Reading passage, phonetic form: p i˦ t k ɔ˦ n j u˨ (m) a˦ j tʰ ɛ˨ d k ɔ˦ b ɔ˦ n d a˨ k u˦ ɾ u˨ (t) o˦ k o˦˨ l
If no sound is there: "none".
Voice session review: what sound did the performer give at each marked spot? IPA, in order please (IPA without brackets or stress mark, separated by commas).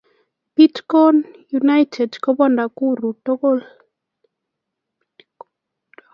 n, t